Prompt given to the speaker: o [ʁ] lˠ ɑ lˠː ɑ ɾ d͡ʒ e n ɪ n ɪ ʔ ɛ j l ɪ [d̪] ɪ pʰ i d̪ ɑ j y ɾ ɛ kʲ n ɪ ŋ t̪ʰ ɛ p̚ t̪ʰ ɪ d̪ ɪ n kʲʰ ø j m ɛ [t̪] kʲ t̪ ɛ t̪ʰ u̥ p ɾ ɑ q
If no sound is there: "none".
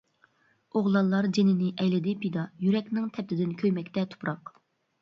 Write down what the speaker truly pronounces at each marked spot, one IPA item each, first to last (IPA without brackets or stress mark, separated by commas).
ʁ, d̪, none